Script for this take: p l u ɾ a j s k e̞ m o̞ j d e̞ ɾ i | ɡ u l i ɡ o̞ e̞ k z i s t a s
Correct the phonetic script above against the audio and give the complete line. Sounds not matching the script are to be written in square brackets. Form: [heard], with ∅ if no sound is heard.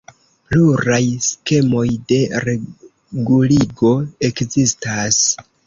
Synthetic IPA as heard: p l u ɾ a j s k e̞ m o̞ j d e̞ ɾ [e] | ɡ u l i ɡ o̞ e̞ k z i s t a s